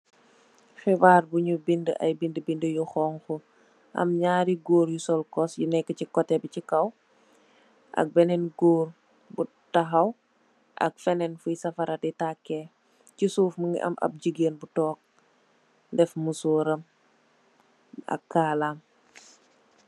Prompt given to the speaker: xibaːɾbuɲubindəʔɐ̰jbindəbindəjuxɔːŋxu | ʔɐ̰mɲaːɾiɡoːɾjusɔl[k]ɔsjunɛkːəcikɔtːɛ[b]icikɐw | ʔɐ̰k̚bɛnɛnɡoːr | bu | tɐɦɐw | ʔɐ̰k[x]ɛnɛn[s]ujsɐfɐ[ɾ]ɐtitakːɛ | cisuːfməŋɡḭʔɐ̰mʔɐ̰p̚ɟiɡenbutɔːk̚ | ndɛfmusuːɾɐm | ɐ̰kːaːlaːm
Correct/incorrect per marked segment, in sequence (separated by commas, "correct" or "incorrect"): correct, correct, incorrect, incorrect, correct